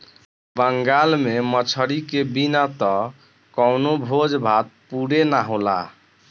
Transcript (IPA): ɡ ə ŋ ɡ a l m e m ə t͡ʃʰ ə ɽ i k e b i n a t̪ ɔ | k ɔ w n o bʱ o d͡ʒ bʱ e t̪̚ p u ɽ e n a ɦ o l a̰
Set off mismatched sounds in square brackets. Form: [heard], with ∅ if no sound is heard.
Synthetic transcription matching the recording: [b] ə ŋ ɡ a l m e m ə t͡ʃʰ ə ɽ i k e b i n a t̪ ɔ | k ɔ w n o bʱ o d͡ʒ bʱ [a] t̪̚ p u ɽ e n a ɦ o l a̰